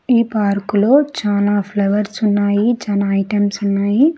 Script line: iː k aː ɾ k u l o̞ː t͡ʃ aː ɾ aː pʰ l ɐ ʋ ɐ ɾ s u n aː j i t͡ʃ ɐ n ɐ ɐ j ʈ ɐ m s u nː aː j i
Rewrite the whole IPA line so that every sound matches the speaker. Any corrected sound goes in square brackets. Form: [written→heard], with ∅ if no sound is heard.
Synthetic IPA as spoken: iː [k→p] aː ɾ k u l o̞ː t͡ʃ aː [ɾ→l] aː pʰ l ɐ ʋ ɐ ɾ s u [n→nː] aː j i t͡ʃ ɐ n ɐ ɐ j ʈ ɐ m s u nː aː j i